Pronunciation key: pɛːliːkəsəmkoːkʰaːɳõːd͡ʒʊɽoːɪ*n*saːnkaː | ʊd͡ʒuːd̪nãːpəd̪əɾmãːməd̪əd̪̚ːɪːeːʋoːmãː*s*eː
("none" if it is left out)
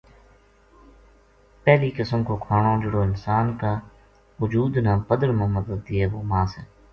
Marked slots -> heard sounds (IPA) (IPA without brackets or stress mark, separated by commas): n, s